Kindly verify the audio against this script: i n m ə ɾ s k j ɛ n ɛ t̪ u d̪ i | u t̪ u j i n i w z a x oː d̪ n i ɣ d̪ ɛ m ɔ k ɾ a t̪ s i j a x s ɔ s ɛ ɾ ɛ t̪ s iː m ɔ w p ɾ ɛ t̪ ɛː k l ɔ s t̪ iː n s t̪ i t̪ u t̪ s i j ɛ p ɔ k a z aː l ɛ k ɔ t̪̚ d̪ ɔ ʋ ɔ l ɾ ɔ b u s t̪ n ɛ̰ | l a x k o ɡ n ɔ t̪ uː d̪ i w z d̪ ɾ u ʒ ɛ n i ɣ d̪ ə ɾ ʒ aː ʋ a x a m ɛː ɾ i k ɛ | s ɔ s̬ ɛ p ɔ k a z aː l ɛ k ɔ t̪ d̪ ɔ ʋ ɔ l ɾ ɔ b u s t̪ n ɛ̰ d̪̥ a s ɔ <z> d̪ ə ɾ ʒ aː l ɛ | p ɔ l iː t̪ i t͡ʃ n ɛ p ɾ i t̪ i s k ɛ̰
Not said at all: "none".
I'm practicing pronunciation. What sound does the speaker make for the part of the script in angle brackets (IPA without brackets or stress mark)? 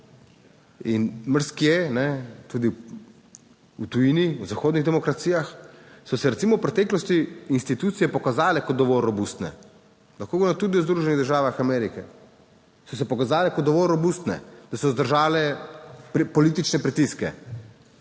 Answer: z